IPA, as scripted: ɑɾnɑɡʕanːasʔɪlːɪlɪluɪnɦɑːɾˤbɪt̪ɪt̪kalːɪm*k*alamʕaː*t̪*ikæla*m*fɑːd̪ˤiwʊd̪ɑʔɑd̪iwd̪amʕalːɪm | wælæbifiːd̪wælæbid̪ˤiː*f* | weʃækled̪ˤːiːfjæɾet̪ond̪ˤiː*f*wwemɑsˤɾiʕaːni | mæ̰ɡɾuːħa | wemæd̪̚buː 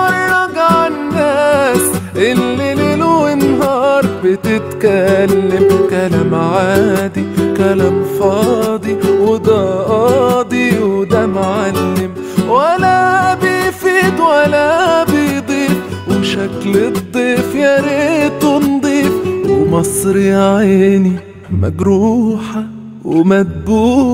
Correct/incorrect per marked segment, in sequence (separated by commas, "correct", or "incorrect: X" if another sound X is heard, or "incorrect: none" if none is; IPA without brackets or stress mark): correct, incorrect: d̪, correct, correct, correct